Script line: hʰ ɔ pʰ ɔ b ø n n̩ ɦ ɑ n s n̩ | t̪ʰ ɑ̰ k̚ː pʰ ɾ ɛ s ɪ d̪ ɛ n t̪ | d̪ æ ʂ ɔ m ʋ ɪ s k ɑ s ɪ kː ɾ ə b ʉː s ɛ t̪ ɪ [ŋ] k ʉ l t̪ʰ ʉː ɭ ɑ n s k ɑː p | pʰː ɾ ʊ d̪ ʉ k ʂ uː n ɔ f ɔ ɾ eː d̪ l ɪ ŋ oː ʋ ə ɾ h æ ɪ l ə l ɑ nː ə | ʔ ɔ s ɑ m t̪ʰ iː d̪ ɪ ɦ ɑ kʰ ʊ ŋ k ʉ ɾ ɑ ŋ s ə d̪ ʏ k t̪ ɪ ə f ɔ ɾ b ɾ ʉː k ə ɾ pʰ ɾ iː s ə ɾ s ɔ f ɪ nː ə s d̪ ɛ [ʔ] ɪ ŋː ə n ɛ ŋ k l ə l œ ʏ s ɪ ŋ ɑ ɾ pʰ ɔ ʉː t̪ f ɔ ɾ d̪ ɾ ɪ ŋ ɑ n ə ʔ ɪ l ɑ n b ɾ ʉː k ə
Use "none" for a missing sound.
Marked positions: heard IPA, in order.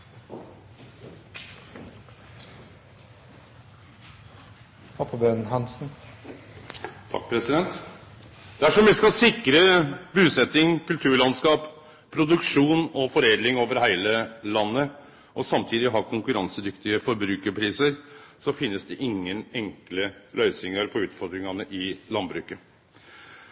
ŋ, ʔ

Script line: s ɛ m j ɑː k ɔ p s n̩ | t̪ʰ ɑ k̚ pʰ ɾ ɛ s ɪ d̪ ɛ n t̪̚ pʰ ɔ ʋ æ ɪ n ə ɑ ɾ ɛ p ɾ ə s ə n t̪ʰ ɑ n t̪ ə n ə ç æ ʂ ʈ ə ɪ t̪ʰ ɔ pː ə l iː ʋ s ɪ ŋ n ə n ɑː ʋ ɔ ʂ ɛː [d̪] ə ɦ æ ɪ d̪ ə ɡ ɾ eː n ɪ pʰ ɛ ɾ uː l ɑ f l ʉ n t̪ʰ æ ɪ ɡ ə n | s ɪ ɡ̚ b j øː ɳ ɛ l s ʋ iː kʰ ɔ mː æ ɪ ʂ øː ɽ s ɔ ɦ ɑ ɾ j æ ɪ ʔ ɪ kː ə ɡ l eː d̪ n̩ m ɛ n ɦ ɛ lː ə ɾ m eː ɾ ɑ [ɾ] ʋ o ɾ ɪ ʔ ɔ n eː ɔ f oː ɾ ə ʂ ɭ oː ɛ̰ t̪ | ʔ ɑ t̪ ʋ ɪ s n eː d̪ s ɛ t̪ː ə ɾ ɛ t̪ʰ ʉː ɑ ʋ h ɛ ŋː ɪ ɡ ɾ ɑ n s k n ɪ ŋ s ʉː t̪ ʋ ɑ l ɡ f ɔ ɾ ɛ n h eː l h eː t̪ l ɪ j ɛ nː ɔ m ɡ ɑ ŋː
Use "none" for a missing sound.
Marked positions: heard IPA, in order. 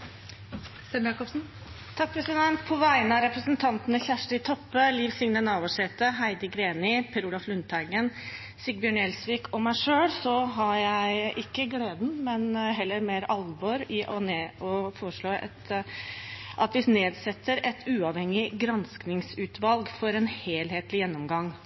t̪, l

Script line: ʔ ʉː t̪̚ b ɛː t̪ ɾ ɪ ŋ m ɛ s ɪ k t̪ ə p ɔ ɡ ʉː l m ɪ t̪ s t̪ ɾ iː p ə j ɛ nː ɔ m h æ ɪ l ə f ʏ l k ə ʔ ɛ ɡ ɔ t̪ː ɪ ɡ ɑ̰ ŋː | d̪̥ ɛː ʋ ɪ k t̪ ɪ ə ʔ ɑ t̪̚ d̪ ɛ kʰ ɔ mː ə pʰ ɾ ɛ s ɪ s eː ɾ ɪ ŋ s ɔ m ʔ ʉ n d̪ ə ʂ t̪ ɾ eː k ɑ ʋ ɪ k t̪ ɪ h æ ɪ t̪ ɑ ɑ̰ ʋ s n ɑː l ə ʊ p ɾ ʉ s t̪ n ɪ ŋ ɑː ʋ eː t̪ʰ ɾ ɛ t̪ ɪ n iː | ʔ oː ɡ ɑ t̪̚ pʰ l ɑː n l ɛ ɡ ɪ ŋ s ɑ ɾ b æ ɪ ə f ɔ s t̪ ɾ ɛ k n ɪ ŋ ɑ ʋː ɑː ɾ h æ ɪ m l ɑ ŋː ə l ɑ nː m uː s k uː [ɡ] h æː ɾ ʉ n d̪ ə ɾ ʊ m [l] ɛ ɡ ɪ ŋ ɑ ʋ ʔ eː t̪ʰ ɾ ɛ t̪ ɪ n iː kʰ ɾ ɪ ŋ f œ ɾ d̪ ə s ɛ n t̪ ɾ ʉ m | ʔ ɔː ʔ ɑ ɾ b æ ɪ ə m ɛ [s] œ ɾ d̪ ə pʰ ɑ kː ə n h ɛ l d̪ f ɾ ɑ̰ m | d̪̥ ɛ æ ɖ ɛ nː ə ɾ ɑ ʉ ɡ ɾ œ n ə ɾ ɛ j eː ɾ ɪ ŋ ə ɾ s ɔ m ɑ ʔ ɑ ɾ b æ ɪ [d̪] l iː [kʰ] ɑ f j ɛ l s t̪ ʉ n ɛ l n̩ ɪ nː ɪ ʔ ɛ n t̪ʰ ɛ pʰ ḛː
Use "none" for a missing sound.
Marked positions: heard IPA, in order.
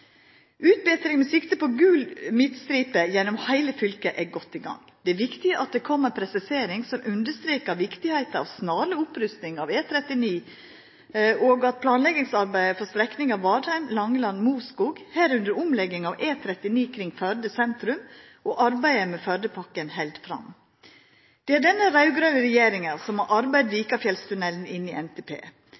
ɡ, l, f, d̪, k

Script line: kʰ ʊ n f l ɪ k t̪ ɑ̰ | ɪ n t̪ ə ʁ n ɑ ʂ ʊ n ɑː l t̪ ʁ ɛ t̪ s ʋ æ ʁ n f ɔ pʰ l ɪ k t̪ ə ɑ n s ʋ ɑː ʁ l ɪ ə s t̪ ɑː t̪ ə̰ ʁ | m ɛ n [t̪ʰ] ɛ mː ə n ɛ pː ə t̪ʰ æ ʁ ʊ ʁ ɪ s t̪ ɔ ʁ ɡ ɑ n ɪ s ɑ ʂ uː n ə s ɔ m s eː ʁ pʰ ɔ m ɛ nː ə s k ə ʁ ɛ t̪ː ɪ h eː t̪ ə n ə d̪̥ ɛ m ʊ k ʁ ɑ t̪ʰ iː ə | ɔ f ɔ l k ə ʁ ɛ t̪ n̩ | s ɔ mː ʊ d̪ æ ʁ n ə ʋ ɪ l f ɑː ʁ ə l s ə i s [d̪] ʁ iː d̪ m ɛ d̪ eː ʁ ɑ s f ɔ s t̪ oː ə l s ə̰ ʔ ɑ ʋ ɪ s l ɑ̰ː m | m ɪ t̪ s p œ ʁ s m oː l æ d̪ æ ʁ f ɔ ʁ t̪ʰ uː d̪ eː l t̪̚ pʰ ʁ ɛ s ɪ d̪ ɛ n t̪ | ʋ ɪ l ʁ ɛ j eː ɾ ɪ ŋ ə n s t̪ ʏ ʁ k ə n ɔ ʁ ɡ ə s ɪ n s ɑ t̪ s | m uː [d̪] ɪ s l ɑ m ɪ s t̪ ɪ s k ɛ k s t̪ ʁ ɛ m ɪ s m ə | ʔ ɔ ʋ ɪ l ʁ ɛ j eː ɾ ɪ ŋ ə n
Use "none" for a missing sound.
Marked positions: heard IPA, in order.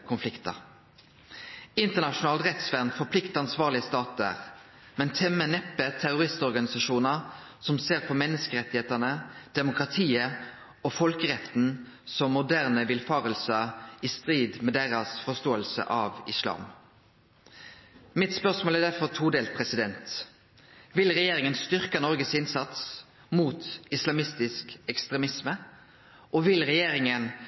t̪ʰ, t̪, t̪

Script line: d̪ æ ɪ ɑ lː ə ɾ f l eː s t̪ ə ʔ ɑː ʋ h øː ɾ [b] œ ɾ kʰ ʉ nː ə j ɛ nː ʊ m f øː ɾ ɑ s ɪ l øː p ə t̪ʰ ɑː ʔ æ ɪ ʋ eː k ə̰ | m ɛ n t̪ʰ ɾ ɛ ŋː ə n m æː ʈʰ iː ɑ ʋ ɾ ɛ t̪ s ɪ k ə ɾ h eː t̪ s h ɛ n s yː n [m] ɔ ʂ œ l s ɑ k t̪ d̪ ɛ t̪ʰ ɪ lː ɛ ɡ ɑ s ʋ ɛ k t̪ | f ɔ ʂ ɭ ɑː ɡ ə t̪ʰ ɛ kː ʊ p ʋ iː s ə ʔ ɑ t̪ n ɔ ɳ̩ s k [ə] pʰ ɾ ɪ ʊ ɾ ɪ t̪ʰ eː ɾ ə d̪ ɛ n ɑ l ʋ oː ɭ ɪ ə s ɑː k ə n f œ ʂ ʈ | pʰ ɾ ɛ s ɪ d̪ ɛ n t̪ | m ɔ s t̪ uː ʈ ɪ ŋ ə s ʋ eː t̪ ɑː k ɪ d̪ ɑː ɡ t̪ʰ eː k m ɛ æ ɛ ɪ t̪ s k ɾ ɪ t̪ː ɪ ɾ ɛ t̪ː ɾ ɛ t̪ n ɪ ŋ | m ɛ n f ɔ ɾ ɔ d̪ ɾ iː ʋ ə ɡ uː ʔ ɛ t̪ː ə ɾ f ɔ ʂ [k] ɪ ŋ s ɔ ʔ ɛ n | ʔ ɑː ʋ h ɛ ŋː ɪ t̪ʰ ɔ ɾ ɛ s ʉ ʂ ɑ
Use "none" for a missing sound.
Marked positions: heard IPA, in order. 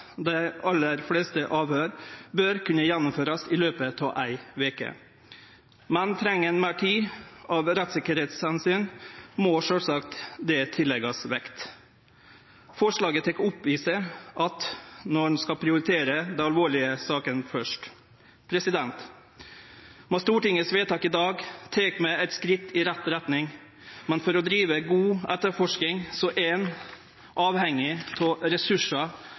b, m, ɑ, k

